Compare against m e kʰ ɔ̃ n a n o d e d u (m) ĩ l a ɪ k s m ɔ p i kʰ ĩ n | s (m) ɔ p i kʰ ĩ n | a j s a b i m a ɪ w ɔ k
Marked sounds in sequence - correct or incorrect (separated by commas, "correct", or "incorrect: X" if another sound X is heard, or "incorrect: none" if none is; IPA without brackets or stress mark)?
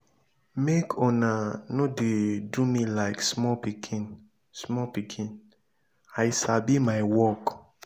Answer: correct, correct